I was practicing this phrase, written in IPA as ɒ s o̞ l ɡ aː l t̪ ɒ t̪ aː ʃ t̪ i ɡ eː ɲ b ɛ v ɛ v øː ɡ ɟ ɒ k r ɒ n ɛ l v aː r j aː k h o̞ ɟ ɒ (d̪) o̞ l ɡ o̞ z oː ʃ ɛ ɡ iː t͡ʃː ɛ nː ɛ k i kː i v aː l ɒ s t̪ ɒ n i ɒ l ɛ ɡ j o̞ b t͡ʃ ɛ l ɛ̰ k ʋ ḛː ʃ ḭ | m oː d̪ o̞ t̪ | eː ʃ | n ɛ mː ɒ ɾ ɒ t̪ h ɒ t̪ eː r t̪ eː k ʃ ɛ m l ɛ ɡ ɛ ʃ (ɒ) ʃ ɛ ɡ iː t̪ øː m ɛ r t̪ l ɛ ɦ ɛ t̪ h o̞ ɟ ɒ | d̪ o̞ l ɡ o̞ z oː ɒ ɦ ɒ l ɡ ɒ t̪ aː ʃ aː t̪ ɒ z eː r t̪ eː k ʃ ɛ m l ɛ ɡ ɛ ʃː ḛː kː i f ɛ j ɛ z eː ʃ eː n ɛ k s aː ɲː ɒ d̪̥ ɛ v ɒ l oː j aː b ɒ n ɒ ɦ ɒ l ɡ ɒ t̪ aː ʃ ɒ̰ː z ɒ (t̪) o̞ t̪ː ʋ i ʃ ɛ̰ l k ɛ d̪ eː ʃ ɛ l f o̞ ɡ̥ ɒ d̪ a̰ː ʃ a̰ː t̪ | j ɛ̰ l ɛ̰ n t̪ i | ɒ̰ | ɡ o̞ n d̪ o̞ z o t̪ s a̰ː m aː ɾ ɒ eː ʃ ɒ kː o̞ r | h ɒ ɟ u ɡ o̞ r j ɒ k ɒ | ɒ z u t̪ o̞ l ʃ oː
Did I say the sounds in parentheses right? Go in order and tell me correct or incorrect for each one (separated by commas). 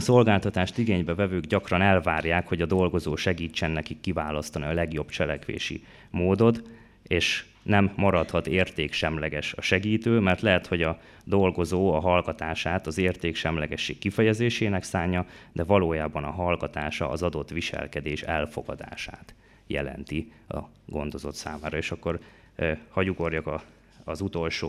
correct, correct, incorrect